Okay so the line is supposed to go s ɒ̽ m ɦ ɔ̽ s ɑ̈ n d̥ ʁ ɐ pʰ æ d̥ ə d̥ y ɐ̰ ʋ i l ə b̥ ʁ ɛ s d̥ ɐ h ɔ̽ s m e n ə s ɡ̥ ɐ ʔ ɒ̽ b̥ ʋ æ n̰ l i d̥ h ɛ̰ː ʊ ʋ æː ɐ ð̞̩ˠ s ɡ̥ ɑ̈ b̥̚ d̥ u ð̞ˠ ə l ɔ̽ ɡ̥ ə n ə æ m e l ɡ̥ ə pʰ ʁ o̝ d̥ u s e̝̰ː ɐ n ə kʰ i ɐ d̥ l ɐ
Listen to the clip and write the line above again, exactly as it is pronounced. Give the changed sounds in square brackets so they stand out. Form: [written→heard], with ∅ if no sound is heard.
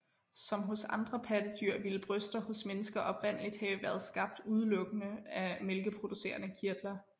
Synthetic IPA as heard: s ɒ̽ m ɦ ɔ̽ s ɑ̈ n d̥ ʁ ɐ pʰ æ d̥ ə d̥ y ɐ̰ ʋ i l ə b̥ ʁ [ɛ→œ] s d̥ ɐ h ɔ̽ s m e n ə s ɡ̥ ɐ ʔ ɒ̽ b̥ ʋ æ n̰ l i d̥ h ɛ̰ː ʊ ʋ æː ɐ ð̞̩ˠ s ɡ̥ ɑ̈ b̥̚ d̥ u ð̞ˠ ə l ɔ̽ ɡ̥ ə n ə æ m e l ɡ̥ ə pʰ ʁ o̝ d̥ u s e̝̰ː ɐ n ə kʰ i ɐ d̥ l ɐ